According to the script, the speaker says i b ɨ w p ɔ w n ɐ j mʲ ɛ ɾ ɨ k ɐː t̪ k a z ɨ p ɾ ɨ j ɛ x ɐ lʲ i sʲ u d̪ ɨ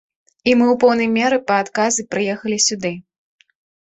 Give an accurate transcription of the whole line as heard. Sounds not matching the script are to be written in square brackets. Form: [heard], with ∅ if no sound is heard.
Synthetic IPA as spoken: i [m] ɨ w p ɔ w n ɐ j mʲ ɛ ɾ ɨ [p] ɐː t̪ k a z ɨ p ɾ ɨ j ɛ x ɐ lʲ i sʲ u d̪ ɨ